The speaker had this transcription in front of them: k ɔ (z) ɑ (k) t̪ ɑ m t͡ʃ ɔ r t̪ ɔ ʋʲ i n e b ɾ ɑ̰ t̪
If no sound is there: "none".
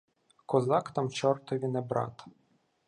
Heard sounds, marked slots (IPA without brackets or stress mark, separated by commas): z, k